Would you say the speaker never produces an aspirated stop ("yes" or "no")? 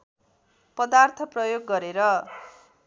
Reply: no